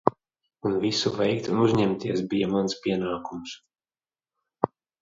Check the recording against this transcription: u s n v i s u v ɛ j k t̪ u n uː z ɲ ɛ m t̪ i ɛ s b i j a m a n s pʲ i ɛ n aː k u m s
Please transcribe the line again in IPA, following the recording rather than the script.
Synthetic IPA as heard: u n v i s u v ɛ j k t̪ u n u z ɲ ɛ m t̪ i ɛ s b i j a m a n s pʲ i ɛ n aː k u m s

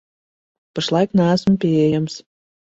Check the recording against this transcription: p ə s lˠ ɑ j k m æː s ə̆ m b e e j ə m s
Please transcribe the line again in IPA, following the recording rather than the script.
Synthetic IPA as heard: p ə ʃ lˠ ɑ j k n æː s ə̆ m p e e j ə m s

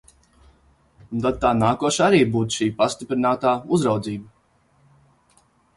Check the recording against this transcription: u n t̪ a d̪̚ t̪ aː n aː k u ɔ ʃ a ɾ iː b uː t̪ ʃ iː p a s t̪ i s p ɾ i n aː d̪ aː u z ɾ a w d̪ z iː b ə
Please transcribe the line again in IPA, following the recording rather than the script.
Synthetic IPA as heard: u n t̪ a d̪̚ t̪ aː n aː k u ɔ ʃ a ɾ iː b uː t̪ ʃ iː p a s t̪ i p ɾ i n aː t̪ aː u z ɾ a w d̪ z iː b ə

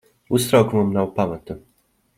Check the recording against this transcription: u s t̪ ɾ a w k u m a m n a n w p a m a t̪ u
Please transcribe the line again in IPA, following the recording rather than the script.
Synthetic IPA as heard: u s t̪ ɾ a w k u m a m n a w p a m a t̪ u

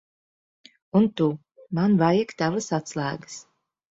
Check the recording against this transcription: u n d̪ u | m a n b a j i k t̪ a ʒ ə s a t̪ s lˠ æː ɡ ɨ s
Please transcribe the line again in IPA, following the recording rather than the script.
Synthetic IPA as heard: u n t̪ u | m a n v a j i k t̪ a v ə s a t̪ s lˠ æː ɡ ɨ s

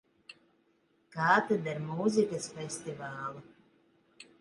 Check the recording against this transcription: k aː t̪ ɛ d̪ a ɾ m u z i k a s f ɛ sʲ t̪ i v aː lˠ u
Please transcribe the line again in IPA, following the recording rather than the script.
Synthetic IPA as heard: k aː t̪ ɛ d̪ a ɾ m u z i k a s f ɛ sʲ t̪ i v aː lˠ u

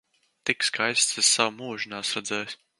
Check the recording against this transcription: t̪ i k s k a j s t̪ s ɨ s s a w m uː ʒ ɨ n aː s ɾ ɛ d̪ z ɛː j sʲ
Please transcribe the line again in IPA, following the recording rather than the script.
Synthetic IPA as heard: t̪ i k s k a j s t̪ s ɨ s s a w m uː ʒ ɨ n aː s ɾ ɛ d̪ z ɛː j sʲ

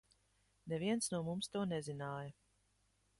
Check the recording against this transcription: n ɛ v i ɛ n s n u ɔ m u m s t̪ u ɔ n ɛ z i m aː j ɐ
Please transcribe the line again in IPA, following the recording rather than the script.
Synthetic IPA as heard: n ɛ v i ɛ n s n u ɔ m u m s t̪ u ɔ n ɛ z i n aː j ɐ

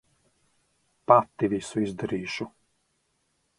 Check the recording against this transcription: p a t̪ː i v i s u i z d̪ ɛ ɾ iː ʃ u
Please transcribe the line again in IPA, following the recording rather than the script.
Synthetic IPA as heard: p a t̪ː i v i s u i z d̪ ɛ ɾ iː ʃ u

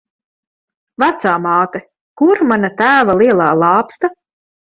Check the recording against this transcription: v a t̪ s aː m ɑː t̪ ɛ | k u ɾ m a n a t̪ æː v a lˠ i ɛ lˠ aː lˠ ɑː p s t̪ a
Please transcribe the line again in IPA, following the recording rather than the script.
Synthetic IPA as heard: v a t̪ s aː m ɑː t̪ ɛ | k u ɾ m a n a t̪ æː v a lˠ i ɛ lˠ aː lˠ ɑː p s t̪ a

